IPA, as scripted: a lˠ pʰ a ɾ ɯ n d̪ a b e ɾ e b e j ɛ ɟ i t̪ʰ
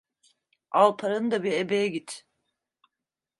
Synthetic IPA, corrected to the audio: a lˠ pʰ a ɾ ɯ n d̪ a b i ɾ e b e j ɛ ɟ i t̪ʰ